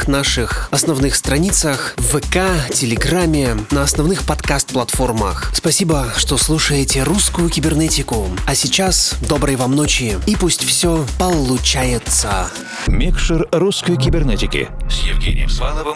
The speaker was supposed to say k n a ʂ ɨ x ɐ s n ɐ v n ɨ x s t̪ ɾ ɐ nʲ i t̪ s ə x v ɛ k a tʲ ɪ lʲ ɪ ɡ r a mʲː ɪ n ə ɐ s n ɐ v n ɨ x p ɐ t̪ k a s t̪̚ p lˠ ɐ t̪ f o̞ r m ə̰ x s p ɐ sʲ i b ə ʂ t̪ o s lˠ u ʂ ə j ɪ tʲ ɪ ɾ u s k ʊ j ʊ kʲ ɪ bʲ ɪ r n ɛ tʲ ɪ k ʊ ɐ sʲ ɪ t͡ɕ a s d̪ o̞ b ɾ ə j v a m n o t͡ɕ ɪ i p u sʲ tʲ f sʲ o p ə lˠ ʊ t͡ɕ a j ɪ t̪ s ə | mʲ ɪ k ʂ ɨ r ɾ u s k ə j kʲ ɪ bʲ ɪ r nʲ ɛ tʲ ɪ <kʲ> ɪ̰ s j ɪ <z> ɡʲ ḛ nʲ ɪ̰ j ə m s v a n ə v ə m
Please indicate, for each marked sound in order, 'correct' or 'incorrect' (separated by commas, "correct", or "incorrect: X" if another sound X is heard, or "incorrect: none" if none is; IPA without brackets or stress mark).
correct, incorrect: v